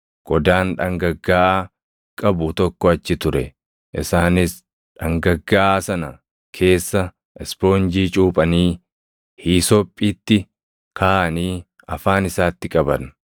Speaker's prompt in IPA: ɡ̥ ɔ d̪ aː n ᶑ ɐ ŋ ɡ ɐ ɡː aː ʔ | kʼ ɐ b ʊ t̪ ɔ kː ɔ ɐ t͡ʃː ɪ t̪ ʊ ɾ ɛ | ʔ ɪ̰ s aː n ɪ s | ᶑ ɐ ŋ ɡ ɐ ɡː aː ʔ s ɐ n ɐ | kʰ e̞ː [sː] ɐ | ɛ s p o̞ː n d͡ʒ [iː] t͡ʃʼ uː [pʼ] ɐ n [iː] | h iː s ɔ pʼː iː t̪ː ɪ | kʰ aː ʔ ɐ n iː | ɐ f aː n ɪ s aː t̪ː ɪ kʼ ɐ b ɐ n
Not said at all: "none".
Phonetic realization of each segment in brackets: sː, iː, pʼ, iː

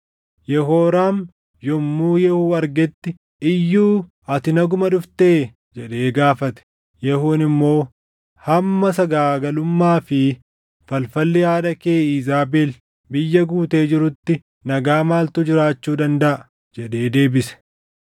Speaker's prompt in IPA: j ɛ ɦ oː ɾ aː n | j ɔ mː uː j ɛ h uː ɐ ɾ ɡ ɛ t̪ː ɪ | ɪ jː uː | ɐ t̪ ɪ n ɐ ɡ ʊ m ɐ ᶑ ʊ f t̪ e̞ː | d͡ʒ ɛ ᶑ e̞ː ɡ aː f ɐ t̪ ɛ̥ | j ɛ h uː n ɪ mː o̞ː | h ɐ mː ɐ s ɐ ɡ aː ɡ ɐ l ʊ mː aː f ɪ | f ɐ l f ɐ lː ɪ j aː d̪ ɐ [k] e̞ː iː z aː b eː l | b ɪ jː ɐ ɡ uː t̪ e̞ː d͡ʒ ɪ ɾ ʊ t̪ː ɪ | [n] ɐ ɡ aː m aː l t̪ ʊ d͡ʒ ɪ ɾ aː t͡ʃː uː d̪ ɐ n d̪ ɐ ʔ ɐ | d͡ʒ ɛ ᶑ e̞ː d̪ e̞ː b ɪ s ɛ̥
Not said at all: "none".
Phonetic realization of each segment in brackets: k, n

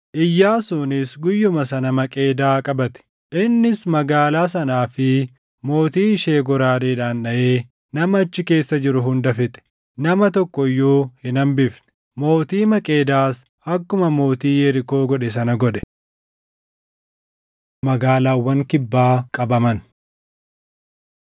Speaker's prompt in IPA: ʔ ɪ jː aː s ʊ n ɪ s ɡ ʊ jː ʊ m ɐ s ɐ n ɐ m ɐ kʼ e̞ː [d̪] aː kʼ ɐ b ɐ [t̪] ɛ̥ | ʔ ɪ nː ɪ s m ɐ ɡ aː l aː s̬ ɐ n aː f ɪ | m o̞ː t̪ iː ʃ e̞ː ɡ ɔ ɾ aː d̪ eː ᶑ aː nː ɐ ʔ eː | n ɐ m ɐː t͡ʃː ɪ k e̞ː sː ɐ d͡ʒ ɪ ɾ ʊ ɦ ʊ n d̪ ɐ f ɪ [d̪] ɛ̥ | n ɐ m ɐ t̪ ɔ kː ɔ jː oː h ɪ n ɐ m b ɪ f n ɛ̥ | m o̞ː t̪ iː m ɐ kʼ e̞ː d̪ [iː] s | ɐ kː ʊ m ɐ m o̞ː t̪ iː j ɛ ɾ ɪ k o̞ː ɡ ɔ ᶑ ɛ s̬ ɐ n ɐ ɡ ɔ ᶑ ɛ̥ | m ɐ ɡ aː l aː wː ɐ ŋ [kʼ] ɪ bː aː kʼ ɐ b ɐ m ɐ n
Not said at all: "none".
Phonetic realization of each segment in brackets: d̪, t̪, t̪, aː, k

